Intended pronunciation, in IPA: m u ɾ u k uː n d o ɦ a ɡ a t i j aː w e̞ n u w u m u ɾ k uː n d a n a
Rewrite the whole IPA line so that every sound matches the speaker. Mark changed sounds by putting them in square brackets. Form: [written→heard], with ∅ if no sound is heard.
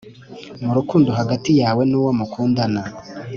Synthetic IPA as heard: m u ɾ u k uː n d o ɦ a ɡ a t i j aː w e̞ n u w [u→o] m u [ɾ→∅] k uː n d a n a

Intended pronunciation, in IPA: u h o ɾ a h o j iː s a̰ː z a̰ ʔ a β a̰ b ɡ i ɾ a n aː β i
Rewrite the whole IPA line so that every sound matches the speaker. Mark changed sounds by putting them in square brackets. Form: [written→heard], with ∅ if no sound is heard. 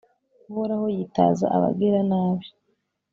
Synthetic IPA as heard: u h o ɾ a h o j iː [s→t] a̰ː z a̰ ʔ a β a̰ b ɡ i ɾ a n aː β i

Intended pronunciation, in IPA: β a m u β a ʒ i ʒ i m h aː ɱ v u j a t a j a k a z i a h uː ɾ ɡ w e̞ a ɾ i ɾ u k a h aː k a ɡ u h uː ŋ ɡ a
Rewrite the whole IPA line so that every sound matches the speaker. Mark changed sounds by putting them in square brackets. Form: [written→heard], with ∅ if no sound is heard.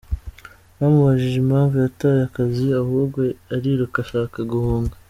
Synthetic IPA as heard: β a m u β a ʒ i ʒ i m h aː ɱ v u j a t a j a k a z i a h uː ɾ ɡ w e̞ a ɾ i ɾ u k a [h→ʃ] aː k a ɡ u h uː ŋ ɡ a

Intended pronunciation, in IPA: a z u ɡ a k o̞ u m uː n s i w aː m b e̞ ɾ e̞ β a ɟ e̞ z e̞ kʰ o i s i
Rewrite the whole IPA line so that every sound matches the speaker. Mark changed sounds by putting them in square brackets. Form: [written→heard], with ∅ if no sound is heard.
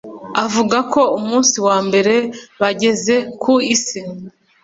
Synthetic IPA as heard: a [z→v] u ɡ a k o̞ u m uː n s i w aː m b e̞ ɾ e̞ β a ɟ e̞ z e̞ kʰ [o→u] i s i

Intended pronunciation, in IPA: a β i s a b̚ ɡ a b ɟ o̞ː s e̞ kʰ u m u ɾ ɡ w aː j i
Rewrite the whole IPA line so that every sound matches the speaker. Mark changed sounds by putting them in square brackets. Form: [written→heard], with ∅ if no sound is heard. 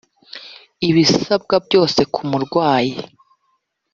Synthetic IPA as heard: [a→i] β i s a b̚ ɡ a b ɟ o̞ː s e̞ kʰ u m u ɾ ɡ w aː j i

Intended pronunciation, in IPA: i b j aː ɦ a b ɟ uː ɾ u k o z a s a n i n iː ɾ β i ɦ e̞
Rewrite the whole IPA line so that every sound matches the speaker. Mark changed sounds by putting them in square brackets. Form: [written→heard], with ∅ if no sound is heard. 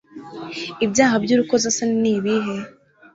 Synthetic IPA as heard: i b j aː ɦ a b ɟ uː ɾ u k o z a s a n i n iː [ɾ→∅] β i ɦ e̞

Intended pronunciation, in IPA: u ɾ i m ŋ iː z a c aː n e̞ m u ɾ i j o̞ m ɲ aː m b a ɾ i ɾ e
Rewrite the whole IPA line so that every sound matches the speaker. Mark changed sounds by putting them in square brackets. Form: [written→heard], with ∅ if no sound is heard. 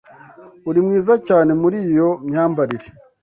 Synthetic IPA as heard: u ɾ i m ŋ iː z a c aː n e̞ m u ɾ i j o̞ m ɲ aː m b a ɾ i ɾ e

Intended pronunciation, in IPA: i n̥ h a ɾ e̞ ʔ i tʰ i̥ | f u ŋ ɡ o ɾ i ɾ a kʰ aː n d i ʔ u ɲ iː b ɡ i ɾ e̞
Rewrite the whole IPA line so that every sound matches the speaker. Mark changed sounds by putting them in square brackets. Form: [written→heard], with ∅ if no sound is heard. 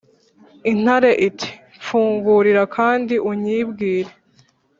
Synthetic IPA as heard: i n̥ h a ɾ e̞ ʔ i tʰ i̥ | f [u→uː] ŋ ɡ [o→u] ɾ i ɾ a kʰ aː n d i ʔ u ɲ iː b ɡ [i→iː] ɾ e̞

